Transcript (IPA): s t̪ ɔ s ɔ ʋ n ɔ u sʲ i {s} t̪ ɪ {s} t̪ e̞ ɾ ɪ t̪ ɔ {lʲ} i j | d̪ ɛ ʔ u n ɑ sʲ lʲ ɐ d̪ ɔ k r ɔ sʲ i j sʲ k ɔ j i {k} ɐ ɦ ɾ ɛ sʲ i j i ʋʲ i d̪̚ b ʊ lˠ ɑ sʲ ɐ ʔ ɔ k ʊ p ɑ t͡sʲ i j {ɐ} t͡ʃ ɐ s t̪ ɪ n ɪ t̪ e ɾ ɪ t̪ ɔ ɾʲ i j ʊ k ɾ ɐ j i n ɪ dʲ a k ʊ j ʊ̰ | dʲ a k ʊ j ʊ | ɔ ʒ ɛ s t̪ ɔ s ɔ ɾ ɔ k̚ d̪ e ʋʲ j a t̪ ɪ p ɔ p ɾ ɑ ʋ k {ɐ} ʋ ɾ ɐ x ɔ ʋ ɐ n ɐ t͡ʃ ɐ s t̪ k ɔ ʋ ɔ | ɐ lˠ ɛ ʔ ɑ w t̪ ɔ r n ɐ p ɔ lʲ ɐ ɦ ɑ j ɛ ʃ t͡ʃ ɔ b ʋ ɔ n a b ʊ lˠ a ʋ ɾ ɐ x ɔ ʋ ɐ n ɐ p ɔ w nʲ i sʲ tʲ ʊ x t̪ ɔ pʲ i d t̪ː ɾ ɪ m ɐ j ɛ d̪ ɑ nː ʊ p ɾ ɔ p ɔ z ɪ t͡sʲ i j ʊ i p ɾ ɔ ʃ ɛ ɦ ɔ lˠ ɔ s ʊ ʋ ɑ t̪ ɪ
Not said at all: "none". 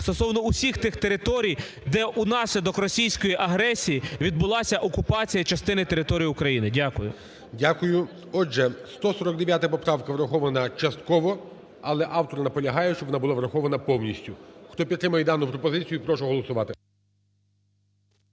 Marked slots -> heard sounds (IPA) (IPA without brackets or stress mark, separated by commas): x, x, ɾʲ, ʔ, ɐ, ɐ